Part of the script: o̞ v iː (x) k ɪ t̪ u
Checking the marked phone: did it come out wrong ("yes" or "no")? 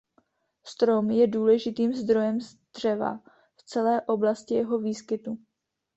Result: yes